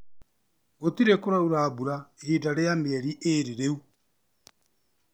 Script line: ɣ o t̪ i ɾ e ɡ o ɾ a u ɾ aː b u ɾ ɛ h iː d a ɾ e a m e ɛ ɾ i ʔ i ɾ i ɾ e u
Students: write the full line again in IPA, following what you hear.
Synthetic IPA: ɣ o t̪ i ɾ e k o ɾ a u ɾ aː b u ɾ a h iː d a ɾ e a m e ɛ ɾ i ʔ e ɾ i ɾ e u